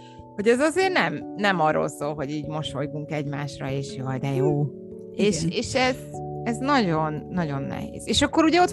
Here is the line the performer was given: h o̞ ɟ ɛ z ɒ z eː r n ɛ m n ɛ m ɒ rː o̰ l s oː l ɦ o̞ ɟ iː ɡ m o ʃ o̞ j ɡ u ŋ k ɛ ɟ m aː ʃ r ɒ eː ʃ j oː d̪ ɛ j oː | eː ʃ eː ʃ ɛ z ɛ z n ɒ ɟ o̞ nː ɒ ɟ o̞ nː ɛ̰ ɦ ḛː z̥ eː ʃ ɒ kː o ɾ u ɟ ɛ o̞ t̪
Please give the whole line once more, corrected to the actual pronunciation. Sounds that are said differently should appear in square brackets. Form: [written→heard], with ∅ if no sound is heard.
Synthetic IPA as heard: h o̞ ɟ ɛ z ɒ z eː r n ɛ m n ɛ m ɒ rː o̰ l s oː l ɦ o̞ ɟ iː [ɡ→ɟ] m o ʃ o̞ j ɡ u ŋ k ɛ ɟ m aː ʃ r ɒ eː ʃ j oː d̪ ɛ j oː | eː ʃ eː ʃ ɛ z ɛ z n ɒ ɟ o̞ nː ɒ ɟ o̞ nː ɛ̰ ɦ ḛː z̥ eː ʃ ɒ kː o ɾ u ɟ ɛ o̞ t̪